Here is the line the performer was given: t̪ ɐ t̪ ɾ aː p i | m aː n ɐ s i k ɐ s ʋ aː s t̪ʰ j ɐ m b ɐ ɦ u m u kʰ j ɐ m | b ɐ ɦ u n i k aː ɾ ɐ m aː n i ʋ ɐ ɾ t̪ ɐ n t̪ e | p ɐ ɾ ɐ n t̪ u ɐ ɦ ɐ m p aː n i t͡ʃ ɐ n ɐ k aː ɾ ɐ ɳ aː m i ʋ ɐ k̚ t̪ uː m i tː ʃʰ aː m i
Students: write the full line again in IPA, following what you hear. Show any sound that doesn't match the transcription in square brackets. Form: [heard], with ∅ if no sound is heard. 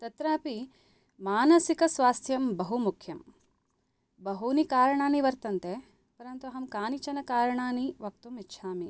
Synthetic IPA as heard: t̪ ɐ t̪ ɾ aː p i | m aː n ɐ s i k ɐ s ʋ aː s t̪ʰ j ɐ m b ɐ ɦ u m u kʰ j ɐ m | b ɐ ɦ u n i k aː ɾ ɐ [ɳ] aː n i ʋ ɐ ɾ t̪ ɐ n t̪ e | p ɐ ɾ ɐ n t̪ u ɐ ɦ ɐ m [k] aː n i t͡ʃ ɐ n ɐ k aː ɾ ɐ ɳ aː [n] i ʋ ɐ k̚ t̪ [u] m i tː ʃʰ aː m i